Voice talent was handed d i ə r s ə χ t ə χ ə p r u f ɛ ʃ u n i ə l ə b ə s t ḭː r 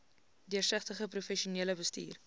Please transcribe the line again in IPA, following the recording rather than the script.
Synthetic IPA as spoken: d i ə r s ə χ t ə χ ə p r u f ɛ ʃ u n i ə l ə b ə s t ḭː r

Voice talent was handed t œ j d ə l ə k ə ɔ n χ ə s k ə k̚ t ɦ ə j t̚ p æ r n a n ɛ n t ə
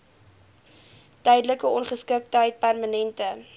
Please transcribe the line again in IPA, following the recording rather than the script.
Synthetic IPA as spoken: t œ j d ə l ə k ə ɔ n χ ə s k ə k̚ t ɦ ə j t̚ p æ r m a n ɛ n t ə

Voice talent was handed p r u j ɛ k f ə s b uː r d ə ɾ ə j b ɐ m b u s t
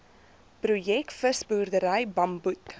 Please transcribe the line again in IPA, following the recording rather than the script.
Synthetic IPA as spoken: p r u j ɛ k f ə s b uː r d ə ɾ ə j b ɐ m b u t

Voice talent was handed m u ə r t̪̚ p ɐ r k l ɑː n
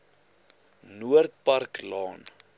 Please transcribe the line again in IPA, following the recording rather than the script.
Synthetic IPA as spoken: n u ə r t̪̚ p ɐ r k l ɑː n

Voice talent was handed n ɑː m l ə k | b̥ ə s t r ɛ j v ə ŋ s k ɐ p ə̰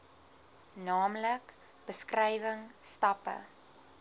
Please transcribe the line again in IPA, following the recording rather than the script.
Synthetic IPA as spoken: n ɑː m l ə k | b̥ ə s k r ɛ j v ə ŋ s t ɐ p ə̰

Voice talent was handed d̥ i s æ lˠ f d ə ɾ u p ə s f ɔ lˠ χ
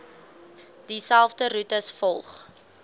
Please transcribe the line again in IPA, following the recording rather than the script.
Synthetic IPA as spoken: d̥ i s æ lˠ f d ə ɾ u t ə s f ɔ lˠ χ

